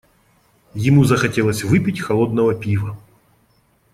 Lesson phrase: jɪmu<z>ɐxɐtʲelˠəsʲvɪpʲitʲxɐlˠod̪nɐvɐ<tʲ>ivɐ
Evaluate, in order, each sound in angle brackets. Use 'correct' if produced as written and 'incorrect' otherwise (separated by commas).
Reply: correct, incorrect